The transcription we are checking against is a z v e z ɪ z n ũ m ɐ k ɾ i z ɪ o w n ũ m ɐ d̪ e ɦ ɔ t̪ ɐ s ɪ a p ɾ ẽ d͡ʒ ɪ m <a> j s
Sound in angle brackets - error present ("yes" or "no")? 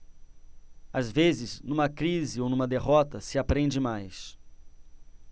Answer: no